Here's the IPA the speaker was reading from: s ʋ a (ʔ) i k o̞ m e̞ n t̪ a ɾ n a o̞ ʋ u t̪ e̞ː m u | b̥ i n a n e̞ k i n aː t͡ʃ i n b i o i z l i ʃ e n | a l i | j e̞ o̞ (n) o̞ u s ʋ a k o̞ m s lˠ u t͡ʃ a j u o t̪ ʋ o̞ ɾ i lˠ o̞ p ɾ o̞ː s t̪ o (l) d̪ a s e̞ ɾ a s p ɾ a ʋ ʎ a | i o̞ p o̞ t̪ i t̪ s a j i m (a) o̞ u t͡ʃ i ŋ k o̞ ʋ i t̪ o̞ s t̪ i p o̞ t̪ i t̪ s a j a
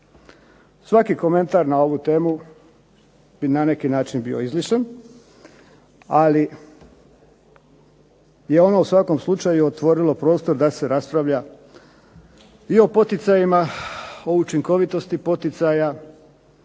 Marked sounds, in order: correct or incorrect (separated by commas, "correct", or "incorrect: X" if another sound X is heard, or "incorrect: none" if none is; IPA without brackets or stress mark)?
incorrect: k, correct, incorrect: ɾ, correct